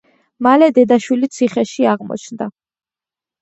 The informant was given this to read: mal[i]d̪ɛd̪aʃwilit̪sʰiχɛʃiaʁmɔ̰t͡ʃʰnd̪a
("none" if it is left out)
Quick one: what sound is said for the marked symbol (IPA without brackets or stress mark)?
ɛ